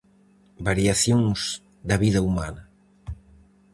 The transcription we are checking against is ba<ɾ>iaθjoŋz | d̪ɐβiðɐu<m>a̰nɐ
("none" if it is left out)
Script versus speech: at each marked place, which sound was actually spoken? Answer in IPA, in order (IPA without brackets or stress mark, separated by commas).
ɾ, m